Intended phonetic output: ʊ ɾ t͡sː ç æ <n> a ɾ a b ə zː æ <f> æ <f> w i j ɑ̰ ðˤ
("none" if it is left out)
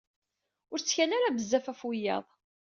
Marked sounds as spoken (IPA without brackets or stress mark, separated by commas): n, f, f